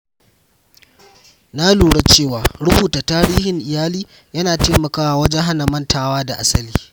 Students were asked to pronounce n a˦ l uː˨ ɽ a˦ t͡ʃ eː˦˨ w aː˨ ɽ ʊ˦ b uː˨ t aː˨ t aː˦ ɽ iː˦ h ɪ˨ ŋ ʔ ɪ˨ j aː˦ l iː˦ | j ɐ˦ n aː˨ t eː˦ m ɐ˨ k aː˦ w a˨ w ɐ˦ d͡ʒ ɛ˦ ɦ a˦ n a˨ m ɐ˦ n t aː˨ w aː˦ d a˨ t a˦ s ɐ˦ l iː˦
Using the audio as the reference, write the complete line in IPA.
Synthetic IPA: n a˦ l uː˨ ɽ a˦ t͡ʃ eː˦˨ w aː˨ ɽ ʊ˦ b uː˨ t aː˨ t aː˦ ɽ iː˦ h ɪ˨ ŋ ʔ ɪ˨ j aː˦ l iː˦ | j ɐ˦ n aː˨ t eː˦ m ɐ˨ k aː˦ w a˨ w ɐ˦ d͡ʒ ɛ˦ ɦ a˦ n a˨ m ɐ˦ n t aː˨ w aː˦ d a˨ ʔ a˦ s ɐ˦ l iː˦